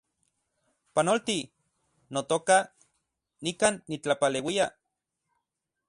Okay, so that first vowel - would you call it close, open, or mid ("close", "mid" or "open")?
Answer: open